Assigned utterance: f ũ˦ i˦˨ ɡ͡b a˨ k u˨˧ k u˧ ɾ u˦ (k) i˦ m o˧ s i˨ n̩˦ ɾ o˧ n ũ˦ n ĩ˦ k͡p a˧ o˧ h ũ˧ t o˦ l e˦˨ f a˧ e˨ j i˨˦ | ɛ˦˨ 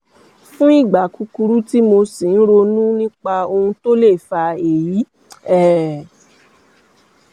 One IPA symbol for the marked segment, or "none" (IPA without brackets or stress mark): t